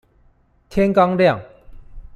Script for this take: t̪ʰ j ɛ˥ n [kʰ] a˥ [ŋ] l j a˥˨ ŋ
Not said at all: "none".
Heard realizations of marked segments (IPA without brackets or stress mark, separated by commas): k, ŋ